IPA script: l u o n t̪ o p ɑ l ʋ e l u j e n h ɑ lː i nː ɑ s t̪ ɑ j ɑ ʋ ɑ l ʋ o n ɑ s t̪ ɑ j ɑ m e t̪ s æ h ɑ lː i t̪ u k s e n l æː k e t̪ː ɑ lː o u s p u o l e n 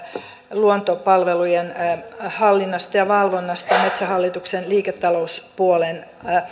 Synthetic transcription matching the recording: l u o n t̪ o p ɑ l ʋ e l u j e n h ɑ lː i nː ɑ s t̪ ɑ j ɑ ʋ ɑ l ʋ o nː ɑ s t̪ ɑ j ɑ m e t̪ s æ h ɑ lː i t̪ u k s e n l iː k e t̪ː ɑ l o u s p u o l e n

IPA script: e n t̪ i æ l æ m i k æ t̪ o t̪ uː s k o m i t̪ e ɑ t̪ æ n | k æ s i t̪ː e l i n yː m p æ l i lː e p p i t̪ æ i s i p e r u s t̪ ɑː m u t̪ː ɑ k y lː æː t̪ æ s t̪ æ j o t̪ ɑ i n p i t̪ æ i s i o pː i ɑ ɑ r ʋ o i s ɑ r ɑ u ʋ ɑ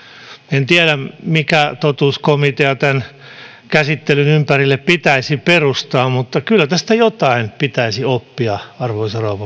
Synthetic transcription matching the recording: e n t̪ i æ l æ m i k æ t̪ o t̪ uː s k o m i t̪ e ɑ t̪ æ n | k æ s i t̪ː e l y n y m p æ r i lː e p p i t̪ æ i s i p e r u s t̪ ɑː m u t̪ː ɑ k y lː æ t̪ æ s t̪ æ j o t̪ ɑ i n p i t̪ æ i s i o pː i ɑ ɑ r ʋ o i s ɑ r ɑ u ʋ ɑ

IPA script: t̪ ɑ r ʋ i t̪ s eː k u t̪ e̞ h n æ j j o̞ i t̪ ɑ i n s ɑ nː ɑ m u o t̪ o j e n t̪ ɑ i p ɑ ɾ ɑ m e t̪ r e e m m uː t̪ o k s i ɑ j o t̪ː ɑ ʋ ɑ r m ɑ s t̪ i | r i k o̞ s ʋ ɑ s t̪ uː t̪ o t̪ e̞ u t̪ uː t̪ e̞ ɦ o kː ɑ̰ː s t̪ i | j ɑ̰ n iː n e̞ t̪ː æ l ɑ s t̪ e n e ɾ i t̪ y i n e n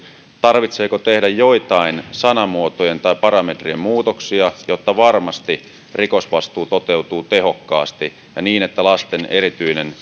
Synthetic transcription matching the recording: t̪ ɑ r ʋ i t̪ s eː k o t̪ e̞ h d æ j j o̞ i t̪ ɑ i n s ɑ n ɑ m u o t̪ o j e n t̪ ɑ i p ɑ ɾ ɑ m e t̪ r i e m m uː t̪ o k s i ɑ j o t̪ː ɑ ʋ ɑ r m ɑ s t̪ i | r i k o̞ s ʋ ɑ s t̪ uː t̪ o t̪ e̞ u t̪ uː t̪ e̞ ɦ o kː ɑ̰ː s t̪ i | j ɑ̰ n iː n e̞ t̪ː æ l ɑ s t̪ e n e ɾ i t̪ y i n e n

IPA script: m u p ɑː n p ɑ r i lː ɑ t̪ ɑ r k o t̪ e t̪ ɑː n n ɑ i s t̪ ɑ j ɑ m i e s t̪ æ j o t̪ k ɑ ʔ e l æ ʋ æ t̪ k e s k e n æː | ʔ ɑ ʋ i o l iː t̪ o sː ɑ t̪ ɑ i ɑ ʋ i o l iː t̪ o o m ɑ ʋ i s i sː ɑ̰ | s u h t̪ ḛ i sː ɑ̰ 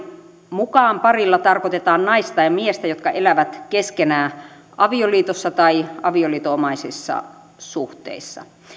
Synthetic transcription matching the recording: m u k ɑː m p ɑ r i lː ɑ t̪ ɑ r k o t̪ e t̪ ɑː n n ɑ i s t̪ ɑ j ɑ m i e s t̪ æ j o t̪ k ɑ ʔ e l æ ʋ æ t̪ k e s k e n æː | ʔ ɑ ʋ i o l iː t̪ o sː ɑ t̪ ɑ i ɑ ʋ i o l iː t̪ o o m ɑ i s i sː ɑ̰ | s u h t̪ ḛ i sː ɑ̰

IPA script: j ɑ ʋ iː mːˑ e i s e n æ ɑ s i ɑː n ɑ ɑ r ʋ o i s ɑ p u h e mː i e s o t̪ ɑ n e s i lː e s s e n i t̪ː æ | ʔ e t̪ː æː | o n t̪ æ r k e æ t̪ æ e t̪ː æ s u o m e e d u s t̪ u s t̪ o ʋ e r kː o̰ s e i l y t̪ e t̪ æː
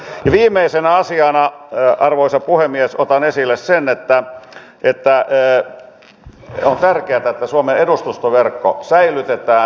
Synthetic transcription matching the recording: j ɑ ʋ iː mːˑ e i s e n æ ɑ s i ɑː n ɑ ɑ r ʋ o i s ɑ p u h e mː i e s o t̪ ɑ n e s i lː e s s e n e t̪ː æ | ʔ e t̪ː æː | o n t̪ æ r k e æ t̪ æ e t̪ː æ s u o m e e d u s t̪ u s t̪ o ʋ e r kː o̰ s æ i l y t̪ e t̪ æː

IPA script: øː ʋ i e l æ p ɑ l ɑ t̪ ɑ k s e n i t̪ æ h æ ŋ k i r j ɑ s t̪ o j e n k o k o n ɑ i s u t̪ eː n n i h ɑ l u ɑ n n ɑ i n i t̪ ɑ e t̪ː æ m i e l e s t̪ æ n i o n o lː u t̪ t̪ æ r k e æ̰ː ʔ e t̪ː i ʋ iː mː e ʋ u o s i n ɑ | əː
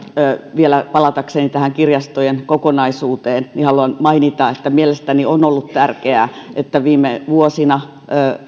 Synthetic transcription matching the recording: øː ʋ i e l æ p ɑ l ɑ t̪ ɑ k s e n i t̪ æ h æ ŋ k i r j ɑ s t̪ o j e n k o k o n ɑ i s uː t̪ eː n n i h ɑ l u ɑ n m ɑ i n i t̪ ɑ e t̪ː æ m i e l e s t̪ æ n i o n o lː u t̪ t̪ æ r k e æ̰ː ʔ e t̪ː æ ʋ iː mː e ʋ u o s i n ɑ | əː

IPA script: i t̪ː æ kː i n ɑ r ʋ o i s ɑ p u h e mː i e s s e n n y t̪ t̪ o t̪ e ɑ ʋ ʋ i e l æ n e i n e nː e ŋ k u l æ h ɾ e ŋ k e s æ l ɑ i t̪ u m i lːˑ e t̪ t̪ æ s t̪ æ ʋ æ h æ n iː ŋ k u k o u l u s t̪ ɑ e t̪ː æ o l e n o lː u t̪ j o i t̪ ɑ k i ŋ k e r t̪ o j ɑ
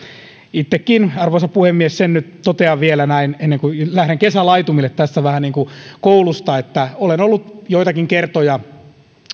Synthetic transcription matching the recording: i t̪ː e kː i n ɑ r ʋ o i s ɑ p u h e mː i e s s e n n y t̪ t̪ o t̪ e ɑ ʋ ʋ i e l æ n æ i n e nː e ŋ k u l æ h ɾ e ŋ k e s æ l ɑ i t̪ u m i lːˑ e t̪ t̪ æ s t̪ æ ʋ æ h æ n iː ŋ k u k o u l u s t̪ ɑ e t̪ː æ o l e n o lː u t̪ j o i t̪ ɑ k i ŋ k e r t̪ o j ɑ

